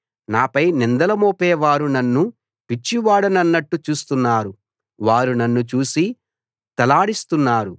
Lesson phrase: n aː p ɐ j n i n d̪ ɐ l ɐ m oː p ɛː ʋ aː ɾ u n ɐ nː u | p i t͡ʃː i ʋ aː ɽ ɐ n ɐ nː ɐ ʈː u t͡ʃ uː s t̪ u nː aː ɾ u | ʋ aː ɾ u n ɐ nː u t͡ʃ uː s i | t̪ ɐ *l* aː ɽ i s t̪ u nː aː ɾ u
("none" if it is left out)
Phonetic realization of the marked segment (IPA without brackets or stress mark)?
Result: l